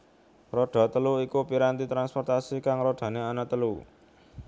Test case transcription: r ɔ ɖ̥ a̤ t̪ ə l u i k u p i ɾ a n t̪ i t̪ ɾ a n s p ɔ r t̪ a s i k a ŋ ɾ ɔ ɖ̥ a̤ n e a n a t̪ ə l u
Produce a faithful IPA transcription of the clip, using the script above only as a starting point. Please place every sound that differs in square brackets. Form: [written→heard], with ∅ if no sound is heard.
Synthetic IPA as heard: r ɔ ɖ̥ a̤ t̪ ə l u i k u p i ɾ a n t̪ i t̪ ɾ a n s p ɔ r t̪ a s i k a ŋ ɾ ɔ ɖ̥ a̤ n e a n a t̪ ə l u